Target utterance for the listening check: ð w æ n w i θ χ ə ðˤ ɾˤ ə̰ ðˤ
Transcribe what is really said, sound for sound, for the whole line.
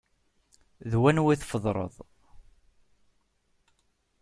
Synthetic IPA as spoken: ð w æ n w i θ f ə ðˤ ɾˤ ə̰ ðˤ